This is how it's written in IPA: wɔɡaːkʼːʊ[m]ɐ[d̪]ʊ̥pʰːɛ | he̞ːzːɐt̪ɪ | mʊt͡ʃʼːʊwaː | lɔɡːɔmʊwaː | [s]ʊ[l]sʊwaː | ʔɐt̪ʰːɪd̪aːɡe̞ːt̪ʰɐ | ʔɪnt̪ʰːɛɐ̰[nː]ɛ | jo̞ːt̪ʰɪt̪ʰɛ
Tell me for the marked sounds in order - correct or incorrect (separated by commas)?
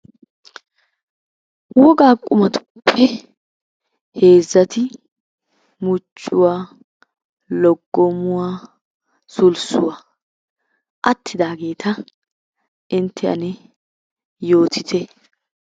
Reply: correct, incorrect, correct, correct, incorrect